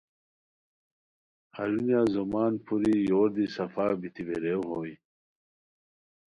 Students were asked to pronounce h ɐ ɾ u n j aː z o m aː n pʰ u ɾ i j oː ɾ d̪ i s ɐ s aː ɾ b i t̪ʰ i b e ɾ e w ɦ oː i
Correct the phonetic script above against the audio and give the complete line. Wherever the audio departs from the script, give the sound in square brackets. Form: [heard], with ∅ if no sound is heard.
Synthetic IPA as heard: h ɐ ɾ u n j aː z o m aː n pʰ u ɾ i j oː ɾ d̪ i s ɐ [f] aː [∅] b i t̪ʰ i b e ɾ e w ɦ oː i